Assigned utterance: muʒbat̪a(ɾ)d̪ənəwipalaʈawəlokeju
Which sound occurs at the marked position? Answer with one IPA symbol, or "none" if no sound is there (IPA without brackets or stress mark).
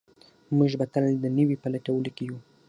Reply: l